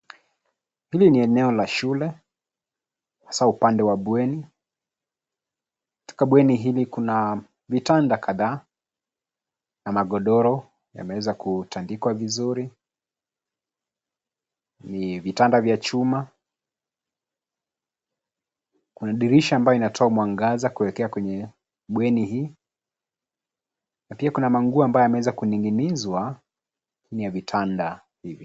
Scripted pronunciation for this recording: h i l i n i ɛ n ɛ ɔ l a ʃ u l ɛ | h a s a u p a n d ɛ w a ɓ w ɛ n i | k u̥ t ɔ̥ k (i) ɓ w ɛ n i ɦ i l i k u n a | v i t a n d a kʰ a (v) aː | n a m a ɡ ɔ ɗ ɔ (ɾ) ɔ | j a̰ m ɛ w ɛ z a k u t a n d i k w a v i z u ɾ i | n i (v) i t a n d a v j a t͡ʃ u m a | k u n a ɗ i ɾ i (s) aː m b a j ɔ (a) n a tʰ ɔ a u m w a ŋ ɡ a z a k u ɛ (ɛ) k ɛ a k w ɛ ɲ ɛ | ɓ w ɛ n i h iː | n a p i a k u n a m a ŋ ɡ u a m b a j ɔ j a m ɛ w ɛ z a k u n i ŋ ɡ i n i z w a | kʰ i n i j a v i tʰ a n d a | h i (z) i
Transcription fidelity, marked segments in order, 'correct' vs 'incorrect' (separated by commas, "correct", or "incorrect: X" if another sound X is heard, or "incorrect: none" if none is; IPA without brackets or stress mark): incorrect: a, incorrect: ð, correct, correct, incorrect: ʃ, incorrect: i, correct, incorrect: v